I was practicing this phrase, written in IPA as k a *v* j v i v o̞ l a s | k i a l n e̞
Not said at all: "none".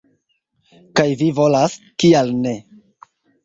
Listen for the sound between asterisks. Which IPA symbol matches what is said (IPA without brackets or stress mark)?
none